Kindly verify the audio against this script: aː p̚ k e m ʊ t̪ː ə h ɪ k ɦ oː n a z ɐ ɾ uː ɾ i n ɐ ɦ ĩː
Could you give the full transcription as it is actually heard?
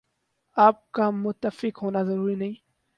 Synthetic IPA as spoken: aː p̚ k a m ʊ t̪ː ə f ɪ k ɦ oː n a z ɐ ɾ uː ɾ i n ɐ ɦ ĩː